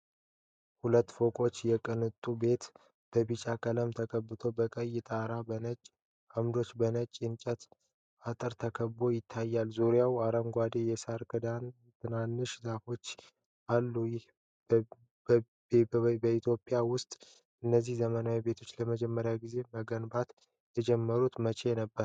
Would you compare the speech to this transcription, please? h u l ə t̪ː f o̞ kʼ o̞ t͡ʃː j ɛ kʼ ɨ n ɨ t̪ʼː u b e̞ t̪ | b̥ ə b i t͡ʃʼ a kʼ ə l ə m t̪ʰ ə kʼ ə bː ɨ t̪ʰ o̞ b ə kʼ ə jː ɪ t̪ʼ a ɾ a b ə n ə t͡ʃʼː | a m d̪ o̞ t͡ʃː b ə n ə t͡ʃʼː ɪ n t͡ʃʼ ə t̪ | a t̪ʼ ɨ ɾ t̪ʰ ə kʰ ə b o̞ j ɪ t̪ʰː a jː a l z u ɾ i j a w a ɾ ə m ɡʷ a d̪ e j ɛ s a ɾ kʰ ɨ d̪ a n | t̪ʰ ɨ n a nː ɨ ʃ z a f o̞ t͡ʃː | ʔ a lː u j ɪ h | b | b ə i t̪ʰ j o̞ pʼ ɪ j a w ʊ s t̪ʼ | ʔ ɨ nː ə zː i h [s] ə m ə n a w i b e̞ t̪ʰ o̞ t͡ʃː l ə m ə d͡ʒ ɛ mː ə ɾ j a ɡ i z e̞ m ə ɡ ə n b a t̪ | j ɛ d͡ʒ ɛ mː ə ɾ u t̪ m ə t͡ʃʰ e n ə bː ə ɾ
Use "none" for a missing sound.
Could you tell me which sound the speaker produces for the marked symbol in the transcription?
z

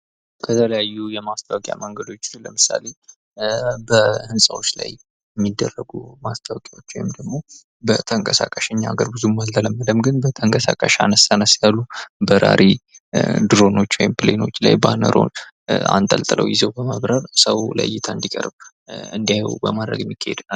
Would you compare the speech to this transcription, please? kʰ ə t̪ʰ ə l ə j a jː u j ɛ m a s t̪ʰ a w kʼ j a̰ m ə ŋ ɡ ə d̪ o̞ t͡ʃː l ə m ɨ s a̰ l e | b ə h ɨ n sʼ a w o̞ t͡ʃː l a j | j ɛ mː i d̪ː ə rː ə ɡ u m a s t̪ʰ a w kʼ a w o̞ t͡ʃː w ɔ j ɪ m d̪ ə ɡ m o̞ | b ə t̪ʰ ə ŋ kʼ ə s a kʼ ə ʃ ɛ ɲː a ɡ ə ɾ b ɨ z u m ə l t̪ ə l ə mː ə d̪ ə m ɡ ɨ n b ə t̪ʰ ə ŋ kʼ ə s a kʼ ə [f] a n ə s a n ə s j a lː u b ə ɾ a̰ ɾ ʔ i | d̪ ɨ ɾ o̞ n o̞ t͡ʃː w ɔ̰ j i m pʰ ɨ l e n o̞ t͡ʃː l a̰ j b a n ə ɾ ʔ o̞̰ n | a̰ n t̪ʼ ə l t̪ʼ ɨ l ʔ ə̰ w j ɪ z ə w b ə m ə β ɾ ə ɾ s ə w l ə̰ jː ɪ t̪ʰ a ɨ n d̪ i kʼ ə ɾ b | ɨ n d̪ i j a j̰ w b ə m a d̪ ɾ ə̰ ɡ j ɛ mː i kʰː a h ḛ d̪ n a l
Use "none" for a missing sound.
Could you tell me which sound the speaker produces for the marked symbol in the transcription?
ʃ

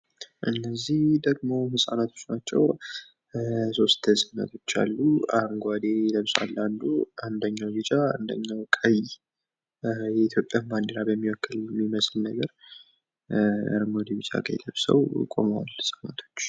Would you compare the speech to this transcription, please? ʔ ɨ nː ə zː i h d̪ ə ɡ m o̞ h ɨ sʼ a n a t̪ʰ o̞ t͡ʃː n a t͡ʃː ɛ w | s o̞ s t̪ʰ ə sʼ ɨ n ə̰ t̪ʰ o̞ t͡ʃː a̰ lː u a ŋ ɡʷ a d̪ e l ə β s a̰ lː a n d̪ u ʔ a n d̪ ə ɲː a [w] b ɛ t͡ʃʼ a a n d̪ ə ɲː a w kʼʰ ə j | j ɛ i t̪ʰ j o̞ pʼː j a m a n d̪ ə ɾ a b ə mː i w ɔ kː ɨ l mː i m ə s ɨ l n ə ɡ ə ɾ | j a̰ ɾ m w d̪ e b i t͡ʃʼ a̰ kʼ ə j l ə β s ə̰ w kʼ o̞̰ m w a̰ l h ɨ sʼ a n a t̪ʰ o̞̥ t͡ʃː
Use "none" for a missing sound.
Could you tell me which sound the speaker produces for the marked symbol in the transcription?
w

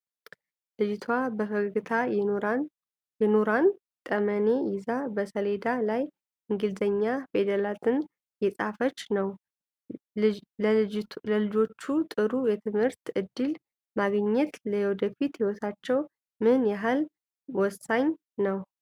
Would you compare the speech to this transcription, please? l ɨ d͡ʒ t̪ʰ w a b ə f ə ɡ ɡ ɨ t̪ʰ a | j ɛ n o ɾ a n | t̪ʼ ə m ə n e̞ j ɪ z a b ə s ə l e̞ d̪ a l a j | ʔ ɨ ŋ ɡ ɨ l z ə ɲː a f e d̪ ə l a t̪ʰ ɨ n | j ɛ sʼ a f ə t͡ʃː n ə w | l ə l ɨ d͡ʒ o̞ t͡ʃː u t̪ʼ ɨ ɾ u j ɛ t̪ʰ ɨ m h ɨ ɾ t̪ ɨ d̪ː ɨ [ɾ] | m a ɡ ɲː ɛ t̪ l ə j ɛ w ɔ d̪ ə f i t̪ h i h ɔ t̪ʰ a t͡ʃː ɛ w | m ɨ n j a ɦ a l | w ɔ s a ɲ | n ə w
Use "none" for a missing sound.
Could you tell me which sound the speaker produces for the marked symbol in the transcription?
l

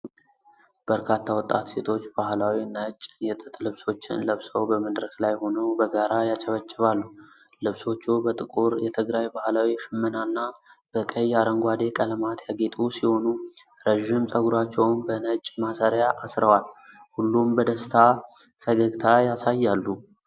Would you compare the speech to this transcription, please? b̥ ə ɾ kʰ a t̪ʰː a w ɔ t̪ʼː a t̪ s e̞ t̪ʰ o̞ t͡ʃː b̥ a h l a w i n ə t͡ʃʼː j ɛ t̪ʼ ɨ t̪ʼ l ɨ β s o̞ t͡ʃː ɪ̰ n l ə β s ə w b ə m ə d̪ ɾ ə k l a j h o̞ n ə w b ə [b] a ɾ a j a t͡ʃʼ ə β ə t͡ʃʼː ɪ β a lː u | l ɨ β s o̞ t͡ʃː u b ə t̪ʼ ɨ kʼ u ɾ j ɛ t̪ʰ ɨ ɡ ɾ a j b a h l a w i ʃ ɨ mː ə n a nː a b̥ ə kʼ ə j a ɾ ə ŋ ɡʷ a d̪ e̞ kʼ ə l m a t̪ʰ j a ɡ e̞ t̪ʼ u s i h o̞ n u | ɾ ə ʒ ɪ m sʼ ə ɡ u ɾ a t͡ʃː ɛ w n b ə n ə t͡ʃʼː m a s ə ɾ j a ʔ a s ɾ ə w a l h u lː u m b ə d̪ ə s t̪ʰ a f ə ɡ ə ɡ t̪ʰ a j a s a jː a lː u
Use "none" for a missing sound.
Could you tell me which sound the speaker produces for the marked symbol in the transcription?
ɡ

